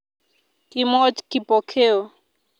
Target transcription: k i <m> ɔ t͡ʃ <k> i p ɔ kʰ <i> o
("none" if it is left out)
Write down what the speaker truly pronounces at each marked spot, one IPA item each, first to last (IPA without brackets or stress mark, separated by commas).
m, k, e